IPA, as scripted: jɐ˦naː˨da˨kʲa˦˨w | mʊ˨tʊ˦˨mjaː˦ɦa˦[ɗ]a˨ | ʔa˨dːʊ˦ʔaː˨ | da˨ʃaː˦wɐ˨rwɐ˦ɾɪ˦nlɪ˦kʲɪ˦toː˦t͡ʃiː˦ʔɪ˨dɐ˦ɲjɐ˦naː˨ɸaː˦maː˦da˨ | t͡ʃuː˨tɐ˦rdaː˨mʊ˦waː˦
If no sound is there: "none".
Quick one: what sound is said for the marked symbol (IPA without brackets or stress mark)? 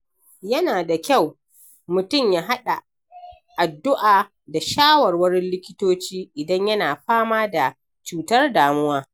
ɗ